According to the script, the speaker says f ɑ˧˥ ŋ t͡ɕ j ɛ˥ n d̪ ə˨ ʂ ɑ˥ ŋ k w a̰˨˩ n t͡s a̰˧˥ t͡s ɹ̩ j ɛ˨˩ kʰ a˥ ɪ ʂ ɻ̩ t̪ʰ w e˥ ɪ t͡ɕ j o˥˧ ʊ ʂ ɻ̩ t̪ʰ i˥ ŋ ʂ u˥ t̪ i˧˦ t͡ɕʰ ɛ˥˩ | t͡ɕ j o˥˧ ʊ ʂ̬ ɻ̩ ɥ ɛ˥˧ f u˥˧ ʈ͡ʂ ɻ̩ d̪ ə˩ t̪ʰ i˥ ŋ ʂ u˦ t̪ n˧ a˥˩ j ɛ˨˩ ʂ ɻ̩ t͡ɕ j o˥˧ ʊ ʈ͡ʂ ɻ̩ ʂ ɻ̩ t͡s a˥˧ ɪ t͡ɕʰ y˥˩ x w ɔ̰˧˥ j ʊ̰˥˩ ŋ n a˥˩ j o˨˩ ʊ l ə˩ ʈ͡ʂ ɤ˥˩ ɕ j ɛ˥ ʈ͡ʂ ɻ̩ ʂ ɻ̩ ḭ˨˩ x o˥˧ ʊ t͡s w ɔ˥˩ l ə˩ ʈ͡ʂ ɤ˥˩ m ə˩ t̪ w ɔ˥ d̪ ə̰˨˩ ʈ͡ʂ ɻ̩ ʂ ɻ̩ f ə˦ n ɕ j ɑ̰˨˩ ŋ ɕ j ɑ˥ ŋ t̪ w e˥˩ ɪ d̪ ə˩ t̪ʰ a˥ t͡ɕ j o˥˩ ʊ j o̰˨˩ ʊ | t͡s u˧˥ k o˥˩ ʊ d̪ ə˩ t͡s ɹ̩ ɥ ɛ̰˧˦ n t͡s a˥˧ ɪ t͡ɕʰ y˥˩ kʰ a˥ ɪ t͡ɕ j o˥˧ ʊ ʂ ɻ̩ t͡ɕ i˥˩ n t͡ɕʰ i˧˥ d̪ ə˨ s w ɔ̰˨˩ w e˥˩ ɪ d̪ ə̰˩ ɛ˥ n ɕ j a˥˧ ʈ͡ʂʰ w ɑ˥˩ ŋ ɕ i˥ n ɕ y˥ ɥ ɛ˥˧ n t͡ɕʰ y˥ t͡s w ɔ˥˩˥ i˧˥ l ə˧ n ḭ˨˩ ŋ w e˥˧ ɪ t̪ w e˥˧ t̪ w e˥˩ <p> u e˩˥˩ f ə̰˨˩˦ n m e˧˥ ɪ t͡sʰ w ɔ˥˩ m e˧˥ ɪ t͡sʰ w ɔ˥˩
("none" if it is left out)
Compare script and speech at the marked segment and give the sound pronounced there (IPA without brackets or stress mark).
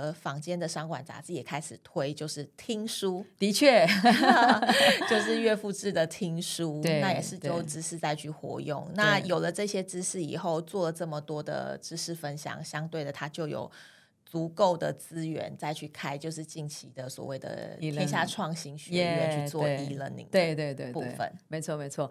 p